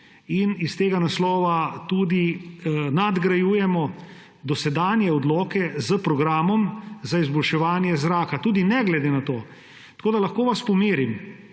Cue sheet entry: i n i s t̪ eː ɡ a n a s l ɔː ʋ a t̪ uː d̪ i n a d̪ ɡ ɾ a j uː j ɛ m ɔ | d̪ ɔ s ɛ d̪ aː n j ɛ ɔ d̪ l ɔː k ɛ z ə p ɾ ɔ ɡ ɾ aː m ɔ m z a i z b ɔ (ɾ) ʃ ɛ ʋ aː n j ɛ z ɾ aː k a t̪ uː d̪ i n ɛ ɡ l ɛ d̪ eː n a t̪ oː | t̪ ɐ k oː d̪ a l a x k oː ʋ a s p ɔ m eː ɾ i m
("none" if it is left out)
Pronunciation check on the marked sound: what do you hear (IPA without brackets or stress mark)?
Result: l